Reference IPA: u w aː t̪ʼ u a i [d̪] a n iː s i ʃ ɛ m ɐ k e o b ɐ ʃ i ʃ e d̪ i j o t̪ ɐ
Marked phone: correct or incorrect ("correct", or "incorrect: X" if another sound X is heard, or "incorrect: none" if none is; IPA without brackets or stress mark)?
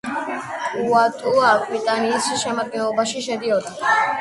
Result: incorrect: t̪